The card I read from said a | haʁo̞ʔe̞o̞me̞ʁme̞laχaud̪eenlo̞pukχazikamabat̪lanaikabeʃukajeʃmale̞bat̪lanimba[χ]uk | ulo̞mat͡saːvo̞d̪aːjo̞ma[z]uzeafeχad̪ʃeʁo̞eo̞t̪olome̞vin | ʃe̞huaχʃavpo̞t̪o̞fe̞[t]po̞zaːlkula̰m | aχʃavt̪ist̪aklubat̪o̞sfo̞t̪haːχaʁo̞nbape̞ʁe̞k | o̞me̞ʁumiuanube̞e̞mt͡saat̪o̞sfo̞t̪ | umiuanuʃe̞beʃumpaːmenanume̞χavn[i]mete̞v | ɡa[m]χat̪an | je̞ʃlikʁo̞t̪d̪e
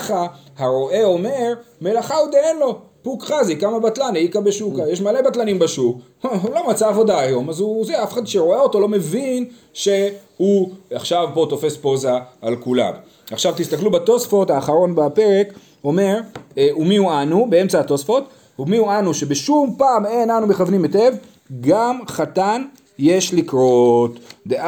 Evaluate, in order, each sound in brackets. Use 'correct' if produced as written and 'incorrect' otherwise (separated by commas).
incorrect, correct, incorrect, correct, correct